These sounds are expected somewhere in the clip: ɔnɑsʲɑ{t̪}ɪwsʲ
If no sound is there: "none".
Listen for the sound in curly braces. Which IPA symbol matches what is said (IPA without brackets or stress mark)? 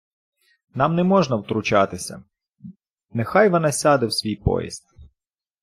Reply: d̪